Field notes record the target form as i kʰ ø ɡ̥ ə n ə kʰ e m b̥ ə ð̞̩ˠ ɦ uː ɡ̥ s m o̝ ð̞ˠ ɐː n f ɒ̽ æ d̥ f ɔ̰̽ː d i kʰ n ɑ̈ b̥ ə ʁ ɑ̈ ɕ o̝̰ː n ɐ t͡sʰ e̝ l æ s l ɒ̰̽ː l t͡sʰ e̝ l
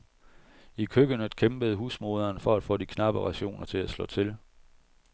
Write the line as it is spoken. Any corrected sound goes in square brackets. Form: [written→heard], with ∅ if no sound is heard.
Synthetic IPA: i kʰ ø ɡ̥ ə n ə kʰ e m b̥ ə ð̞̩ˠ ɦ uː [ɡ̥→∅] s m o̝ ð̞ˠ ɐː n f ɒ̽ æ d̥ f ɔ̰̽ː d i kʰ n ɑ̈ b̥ ə ʁ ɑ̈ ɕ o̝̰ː n ɐ t͡sʰ e̝ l æ s l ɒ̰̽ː [l→∅] t͡sʰ e̝ l